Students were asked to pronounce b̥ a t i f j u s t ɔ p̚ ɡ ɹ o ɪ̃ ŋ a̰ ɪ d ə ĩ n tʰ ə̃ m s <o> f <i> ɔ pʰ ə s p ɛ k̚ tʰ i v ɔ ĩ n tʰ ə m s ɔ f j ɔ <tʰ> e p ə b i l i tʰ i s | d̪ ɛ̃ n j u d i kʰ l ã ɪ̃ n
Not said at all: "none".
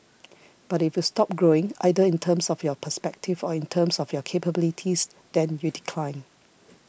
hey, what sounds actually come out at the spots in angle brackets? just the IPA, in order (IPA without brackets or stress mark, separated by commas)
ɔ, j, kʰ